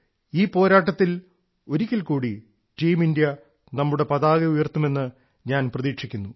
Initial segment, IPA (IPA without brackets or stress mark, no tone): iː